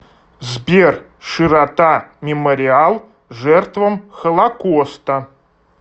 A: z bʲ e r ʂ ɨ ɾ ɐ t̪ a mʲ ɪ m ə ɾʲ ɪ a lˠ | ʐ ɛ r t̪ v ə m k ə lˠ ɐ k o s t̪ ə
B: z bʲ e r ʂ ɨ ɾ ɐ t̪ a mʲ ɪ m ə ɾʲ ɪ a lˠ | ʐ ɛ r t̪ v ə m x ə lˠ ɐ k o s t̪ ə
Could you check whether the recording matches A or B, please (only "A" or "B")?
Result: B